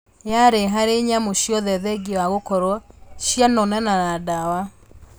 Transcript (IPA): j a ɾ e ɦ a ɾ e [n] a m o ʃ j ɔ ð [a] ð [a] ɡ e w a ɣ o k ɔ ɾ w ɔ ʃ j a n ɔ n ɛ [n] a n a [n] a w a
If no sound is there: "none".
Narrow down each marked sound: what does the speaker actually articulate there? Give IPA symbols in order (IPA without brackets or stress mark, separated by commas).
ɲ, ɛ, ɛ, n, d